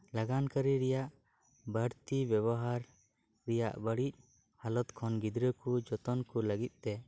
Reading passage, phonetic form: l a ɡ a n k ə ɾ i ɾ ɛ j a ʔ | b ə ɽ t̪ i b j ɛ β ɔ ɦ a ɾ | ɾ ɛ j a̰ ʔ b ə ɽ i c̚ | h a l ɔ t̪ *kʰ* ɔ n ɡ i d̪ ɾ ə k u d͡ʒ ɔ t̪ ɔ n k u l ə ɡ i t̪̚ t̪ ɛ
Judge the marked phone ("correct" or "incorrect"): correct